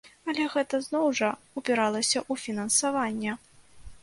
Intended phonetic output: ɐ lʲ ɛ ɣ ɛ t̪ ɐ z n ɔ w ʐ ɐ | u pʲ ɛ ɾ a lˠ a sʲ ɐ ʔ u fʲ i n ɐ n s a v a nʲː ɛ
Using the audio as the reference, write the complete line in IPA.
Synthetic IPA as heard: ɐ lʲ ɛ ɣ ɛ t̪ ɐ z n ɔ w ʐ ɐ | u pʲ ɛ ɾ a lˠ ɐ sʲ ɐ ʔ u fʲ i n ɐ n s a v a nʲː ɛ